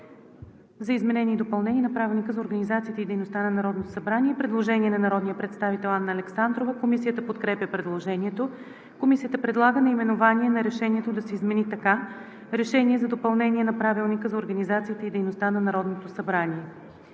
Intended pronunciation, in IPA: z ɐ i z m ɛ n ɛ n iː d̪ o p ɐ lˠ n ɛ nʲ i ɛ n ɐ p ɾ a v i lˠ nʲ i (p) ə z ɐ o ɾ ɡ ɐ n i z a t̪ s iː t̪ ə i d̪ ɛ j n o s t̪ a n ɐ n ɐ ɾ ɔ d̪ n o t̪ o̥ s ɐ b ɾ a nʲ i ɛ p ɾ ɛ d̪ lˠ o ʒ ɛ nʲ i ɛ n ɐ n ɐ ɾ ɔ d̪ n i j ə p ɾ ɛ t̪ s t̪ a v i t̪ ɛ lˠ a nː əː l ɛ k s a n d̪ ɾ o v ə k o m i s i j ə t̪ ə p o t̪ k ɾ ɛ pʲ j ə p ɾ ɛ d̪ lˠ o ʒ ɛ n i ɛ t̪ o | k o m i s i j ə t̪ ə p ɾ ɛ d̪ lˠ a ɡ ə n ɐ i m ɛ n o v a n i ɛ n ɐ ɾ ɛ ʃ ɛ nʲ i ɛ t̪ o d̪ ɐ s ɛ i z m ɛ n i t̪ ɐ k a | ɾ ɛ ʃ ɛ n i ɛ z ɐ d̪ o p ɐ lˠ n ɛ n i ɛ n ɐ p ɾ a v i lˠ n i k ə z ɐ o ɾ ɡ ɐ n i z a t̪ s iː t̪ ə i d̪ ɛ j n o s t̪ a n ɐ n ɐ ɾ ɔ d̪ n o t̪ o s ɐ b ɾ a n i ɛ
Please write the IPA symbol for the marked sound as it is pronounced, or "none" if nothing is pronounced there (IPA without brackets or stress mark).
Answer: k